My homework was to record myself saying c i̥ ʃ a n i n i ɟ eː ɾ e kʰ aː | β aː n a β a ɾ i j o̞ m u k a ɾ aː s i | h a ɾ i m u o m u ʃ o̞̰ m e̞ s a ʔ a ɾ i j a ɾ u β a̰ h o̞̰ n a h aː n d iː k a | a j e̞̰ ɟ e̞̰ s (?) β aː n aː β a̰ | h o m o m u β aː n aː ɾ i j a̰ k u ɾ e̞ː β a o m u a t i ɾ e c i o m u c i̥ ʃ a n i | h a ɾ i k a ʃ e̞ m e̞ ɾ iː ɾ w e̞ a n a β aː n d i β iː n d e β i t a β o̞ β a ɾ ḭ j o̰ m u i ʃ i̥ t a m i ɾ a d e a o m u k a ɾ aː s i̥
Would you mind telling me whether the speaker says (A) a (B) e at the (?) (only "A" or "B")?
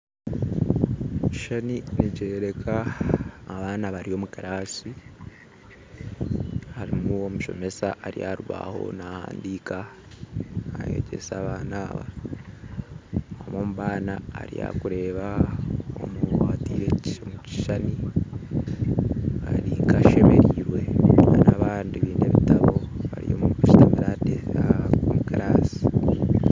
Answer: A